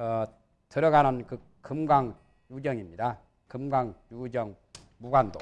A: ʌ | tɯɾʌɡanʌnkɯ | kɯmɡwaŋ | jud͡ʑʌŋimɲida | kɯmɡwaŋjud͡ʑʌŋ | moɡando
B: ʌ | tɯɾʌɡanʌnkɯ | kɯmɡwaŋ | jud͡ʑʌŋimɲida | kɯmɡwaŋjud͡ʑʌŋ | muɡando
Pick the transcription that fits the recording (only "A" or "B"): B